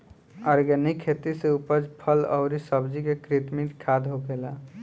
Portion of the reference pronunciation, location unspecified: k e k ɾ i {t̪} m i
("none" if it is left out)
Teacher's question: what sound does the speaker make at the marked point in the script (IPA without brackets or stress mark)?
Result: t̪